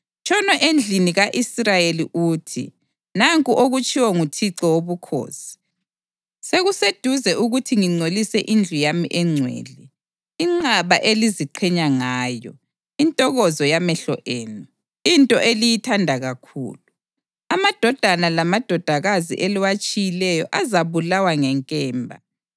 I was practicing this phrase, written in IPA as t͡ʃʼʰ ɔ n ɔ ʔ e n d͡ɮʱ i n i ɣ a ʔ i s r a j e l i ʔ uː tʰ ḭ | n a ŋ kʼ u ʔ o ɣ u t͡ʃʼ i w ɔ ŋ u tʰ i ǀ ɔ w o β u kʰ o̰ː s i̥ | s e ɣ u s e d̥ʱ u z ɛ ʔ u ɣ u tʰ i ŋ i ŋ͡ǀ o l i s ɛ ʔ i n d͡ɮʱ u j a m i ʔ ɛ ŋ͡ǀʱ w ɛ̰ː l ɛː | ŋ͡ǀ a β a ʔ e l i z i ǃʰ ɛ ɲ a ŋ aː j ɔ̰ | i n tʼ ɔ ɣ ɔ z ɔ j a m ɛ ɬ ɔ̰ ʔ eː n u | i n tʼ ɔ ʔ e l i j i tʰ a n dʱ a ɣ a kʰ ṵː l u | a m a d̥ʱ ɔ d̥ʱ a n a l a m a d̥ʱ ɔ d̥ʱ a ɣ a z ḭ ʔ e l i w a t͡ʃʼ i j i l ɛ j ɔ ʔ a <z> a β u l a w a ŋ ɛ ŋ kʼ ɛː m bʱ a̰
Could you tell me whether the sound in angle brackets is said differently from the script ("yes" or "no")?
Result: no